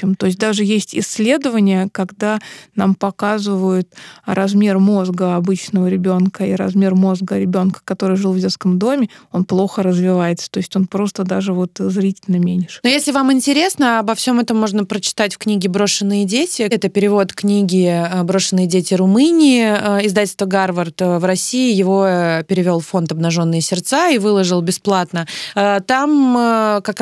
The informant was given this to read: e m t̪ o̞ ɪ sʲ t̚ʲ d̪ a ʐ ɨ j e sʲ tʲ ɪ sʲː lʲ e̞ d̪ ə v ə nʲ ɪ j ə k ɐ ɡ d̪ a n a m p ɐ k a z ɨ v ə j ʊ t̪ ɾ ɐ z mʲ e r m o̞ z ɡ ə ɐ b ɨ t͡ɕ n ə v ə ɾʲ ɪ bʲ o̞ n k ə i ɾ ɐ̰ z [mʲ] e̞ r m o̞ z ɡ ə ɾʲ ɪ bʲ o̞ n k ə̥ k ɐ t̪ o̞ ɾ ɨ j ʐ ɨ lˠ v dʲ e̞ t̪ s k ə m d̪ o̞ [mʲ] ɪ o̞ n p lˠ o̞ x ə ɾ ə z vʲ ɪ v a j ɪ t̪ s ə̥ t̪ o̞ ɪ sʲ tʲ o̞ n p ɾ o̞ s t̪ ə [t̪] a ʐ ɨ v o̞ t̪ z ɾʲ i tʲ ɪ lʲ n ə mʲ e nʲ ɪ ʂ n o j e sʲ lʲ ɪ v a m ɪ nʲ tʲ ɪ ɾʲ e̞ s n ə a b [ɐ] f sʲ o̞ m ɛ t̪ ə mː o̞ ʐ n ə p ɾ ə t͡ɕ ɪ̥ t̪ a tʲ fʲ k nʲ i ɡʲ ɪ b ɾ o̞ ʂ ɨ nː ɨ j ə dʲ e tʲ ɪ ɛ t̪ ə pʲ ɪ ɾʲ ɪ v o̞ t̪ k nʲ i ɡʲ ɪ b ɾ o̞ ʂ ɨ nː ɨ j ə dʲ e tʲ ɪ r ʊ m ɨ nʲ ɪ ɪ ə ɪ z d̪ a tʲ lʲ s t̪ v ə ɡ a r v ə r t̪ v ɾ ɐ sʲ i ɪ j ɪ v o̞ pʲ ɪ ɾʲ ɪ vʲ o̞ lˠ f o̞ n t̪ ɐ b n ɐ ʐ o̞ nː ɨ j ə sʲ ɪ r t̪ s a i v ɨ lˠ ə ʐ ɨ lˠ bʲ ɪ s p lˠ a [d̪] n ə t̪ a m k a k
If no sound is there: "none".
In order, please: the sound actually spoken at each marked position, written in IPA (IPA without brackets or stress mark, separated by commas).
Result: mʲ, mʲ, d̪, ɐ, t̪